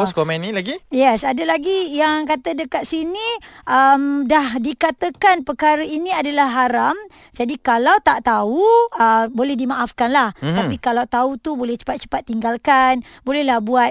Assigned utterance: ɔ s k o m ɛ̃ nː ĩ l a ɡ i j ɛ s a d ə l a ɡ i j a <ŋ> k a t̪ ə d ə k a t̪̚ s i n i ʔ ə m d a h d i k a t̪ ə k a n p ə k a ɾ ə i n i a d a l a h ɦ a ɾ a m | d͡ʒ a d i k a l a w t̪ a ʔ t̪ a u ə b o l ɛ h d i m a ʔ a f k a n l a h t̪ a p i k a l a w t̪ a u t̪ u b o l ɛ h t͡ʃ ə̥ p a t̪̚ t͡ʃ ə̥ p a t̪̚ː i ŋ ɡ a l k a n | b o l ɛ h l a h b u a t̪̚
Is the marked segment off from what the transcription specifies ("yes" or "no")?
no